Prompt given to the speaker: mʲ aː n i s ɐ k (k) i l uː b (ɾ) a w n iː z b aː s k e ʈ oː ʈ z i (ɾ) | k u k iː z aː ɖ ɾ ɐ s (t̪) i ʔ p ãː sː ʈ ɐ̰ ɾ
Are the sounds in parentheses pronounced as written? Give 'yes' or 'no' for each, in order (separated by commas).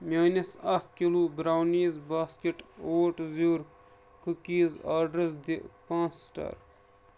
yes, yes, yes, no